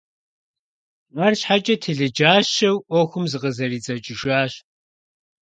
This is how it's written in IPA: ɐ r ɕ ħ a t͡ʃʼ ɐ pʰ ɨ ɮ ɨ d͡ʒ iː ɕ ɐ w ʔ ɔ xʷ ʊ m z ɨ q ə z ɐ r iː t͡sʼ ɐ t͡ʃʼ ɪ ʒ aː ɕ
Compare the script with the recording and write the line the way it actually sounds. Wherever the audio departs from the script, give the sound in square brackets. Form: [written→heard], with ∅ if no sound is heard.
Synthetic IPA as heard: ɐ r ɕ ħ a t͡ʃʼ ɐ [pʰ→tʰ] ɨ ɮ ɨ d͡ʒ [iː→aː] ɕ ɐ w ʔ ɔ xʷ ʊ m z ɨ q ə z ɐ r iː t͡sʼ ɐ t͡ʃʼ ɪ ʒ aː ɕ